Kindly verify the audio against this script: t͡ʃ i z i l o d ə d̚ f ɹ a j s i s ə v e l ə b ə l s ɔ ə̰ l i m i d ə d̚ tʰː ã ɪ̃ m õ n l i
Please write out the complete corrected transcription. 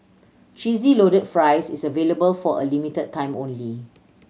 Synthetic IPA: t͡ʃ i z i l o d ə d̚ f ɹ a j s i s ə v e l ə b ə l f ɔ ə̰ l i m i t ə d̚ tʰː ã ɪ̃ m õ n l i